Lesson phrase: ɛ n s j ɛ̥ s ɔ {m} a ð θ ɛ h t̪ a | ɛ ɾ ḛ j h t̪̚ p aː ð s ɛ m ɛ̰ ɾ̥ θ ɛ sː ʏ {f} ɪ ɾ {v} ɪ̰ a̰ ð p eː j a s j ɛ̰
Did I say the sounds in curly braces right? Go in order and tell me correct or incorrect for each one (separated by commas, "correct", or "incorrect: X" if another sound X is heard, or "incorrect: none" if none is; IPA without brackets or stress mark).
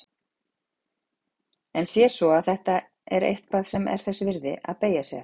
incorrect: none, incorrect: v, incorrect: ð